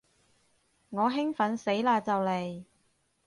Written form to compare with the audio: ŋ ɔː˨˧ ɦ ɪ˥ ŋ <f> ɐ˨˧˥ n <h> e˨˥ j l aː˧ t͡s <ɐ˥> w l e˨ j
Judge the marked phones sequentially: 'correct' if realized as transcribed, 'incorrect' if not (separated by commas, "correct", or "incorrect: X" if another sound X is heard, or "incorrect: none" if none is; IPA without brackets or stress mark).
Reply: correct, incorrect: s, incorrect: ɐ˨